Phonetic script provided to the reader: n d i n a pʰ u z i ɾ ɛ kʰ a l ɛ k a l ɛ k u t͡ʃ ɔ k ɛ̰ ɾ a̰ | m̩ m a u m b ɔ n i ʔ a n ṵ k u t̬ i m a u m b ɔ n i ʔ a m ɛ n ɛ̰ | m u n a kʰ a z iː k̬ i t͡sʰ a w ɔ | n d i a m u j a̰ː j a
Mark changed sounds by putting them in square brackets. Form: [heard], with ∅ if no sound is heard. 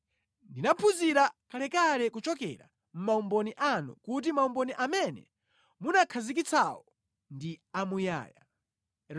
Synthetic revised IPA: n d i n a pʰ u z i ɾ [a] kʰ a l ɛ k a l ɛ k u t͡ʃ ɔ k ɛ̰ ɾ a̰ | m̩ m a u m b ɔ n i ʔ a n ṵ k u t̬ i m a u m b ɔ n i ʔ a m ɛ n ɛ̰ | m u n a kʰ a z [i] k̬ i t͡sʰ a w ɔ | n d i a m u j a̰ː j a